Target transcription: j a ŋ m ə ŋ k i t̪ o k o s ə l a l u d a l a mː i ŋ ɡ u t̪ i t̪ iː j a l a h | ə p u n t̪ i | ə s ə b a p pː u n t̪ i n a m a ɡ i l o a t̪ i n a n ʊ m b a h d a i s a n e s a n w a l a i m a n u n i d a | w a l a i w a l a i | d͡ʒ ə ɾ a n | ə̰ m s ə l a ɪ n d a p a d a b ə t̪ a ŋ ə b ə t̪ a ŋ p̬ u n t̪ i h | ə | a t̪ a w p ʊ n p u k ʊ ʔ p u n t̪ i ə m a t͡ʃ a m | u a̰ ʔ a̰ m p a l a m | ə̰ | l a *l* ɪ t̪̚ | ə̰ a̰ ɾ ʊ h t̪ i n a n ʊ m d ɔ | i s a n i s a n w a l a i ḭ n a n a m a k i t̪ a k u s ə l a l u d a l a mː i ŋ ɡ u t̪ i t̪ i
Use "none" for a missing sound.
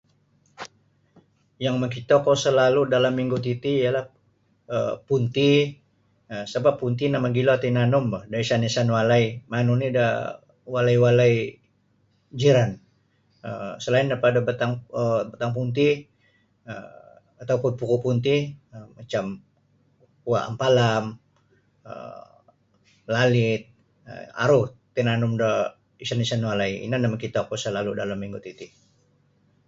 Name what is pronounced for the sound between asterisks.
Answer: l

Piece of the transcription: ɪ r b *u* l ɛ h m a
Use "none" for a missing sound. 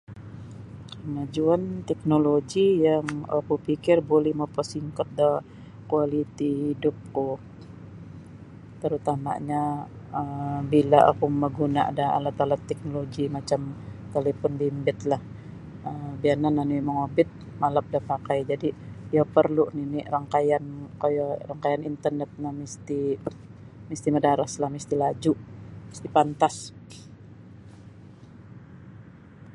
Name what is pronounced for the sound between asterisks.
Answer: o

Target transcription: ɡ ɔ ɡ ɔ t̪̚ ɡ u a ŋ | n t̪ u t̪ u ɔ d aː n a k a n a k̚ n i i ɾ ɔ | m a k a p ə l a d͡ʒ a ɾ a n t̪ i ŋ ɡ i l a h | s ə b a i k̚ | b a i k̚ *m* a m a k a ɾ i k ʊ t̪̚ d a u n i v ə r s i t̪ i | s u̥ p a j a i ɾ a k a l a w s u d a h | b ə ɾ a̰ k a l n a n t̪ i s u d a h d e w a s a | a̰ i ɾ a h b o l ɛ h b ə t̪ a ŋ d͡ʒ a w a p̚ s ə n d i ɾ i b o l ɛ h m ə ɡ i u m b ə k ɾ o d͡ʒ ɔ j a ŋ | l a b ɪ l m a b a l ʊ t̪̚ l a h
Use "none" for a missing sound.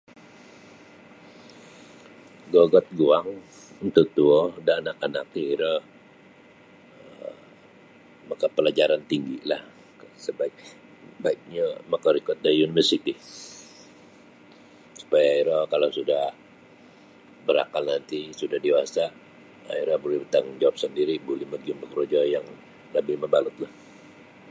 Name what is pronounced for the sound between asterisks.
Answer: ɲ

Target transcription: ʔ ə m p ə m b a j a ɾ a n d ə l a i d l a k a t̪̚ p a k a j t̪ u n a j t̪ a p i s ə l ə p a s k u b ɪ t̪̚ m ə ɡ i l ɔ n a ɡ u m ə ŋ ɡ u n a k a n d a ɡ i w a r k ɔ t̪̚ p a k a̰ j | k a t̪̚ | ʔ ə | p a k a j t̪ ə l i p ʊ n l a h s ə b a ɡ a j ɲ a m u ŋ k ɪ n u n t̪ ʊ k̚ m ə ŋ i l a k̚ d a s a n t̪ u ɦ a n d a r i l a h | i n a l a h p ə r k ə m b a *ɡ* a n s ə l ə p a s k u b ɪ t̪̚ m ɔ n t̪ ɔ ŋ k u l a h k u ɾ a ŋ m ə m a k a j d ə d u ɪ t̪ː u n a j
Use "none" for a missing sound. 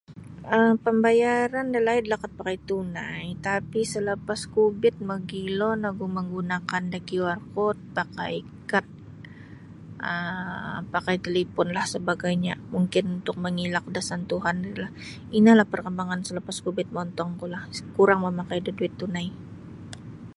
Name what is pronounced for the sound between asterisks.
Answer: ŋ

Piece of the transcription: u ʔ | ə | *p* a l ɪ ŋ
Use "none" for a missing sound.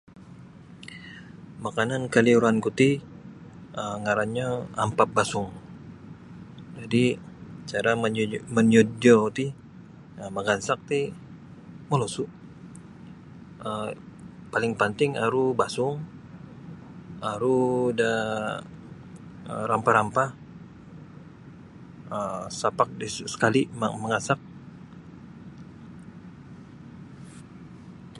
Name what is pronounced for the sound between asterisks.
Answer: p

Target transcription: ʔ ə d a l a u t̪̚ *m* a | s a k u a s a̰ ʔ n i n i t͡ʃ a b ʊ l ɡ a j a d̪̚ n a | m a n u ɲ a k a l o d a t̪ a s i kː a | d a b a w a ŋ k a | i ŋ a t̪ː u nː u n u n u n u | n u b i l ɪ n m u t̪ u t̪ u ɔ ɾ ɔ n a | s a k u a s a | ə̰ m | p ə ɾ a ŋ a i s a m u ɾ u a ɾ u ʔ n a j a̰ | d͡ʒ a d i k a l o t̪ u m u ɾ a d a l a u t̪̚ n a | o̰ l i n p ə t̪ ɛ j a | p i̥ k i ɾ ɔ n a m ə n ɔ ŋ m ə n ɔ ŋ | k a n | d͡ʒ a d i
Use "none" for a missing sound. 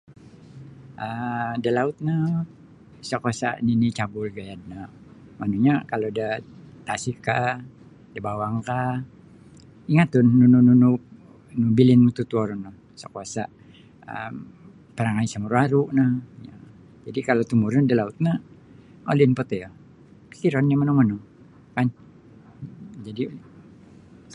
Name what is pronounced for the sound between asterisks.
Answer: n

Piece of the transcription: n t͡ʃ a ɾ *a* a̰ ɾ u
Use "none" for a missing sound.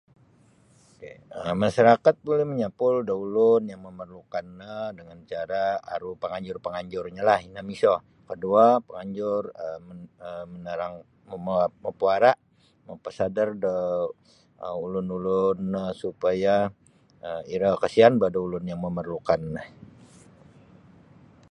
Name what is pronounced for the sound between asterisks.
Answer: a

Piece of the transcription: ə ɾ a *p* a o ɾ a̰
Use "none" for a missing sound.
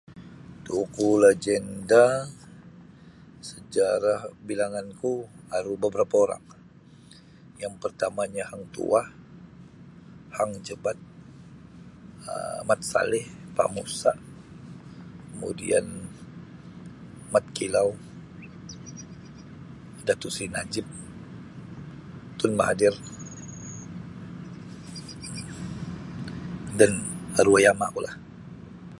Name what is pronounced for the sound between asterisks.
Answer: p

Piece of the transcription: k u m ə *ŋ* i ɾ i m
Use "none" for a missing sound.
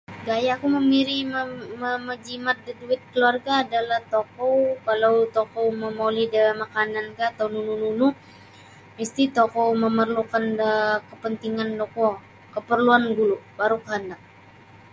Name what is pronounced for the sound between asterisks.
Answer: m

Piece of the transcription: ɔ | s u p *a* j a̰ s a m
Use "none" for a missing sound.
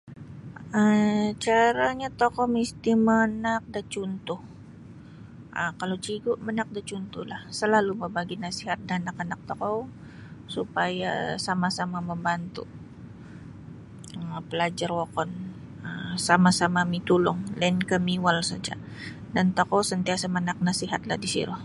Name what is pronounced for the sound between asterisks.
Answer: a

